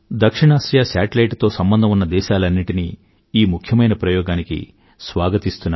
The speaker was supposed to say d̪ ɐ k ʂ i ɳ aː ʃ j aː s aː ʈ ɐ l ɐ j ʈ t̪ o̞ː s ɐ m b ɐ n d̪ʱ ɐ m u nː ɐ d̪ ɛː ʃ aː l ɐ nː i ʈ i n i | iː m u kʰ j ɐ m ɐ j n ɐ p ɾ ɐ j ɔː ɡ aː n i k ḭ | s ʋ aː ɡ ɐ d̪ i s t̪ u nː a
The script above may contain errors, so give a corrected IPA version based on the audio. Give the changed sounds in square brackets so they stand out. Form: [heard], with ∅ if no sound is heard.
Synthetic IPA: d̪ ɐ k ʂ i ɳ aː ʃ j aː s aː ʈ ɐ l ɐ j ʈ t̪ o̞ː s ɐ m b ɐ n d̪ʱ ɐ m u nː ɐ d̪ ɛː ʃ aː l ɐ nː i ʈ i n i | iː m u kʰ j ɐ m ɐ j n ɐ p ɾ ɐ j ɔː ɡ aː n i k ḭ | s ʋ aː ɡ ɐ [t̪] i s t̪ u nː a